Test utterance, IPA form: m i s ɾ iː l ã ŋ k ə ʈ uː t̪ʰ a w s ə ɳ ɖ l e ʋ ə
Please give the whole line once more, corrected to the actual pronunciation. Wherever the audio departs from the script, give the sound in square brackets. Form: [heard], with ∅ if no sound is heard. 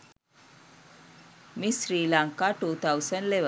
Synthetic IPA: m i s ɾ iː l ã ŋ k [a] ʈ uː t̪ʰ a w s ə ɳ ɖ l e ʋ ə